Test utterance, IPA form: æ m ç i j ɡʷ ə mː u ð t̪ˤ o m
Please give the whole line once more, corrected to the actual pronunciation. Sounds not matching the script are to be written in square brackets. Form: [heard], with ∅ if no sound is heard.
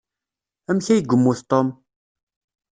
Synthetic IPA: æ m ç [æ] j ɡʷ ə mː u [θ] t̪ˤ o m